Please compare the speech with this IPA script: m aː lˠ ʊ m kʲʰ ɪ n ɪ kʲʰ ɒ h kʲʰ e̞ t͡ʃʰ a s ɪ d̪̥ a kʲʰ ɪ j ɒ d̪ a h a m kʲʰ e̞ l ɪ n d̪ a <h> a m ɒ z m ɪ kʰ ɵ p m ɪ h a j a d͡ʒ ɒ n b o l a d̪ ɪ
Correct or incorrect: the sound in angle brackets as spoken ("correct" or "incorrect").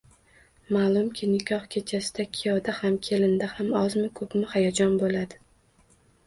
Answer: correct